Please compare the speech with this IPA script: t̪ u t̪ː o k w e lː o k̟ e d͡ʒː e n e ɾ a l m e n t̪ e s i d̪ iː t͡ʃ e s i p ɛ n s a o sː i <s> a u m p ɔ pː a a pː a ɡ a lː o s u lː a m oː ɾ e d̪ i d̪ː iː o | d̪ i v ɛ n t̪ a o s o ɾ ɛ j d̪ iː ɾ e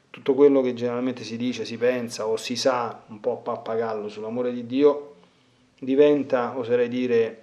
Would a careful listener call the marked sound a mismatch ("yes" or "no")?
no